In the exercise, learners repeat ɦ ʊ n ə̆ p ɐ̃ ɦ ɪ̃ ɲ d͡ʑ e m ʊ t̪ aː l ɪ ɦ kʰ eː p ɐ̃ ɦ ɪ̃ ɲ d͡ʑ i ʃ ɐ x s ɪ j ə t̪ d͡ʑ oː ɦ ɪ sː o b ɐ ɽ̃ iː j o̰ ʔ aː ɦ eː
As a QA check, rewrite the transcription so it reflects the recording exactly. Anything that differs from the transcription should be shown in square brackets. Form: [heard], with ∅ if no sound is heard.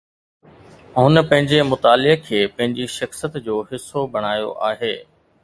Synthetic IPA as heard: ɦ ʊ n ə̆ p ɐ̃ ɦ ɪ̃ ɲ d͡ʑ e m ʊ t̪ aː l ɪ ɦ kʰ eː p ɐ̃ ɦ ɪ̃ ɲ d͡ʑ i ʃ ɐ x s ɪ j ə t̪ d͡ʑ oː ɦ ɪ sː o b ɐ ɽ̃ [aː] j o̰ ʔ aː ɦ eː